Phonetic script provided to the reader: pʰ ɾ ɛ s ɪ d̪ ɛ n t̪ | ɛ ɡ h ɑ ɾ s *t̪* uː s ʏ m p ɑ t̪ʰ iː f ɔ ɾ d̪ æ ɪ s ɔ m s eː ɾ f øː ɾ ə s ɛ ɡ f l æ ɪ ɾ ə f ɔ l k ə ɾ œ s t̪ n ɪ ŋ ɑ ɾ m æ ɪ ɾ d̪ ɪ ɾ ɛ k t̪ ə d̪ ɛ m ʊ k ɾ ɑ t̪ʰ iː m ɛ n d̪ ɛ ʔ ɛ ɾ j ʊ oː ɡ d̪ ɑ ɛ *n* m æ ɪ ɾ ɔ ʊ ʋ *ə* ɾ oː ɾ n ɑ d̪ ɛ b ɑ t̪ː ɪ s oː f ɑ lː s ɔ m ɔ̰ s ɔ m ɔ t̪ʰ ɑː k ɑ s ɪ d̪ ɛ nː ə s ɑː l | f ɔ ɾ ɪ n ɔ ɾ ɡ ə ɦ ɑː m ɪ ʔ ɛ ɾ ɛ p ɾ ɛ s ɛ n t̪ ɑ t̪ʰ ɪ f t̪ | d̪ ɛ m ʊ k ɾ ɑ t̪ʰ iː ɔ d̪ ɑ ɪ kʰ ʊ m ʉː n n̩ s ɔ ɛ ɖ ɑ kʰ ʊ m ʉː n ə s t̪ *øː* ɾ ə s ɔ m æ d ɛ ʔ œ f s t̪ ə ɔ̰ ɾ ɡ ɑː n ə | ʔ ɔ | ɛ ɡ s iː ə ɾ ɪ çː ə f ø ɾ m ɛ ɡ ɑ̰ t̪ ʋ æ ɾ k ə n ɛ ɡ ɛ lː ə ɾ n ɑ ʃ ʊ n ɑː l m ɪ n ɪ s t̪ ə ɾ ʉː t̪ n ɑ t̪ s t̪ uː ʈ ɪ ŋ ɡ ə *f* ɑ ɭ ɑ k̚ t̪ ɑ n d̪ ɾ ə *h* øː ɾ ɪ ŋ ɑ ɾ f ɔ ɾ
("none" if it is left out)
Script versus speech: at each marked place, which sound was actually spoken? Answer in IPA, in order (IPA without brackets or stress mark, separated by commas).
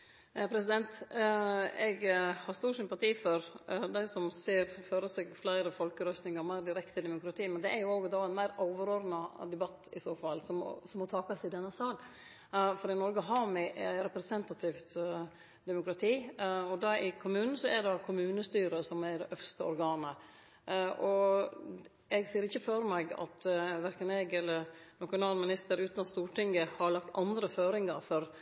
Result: t̪, n, ə, yː, h, f